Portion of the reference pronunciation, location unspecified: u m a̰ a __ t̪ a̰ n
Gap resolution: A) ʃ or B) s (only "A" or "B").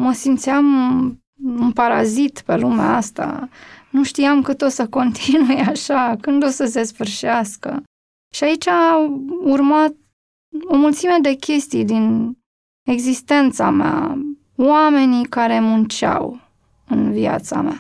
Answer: B